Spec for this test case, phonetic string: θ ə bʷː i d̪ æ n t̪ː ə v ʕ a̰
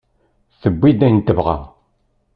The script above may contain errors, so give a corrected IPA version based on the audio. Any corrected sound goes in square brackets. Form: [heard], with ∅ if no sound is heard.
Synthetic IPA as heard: θ ə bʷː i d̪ æ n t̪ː ə v [ʁ] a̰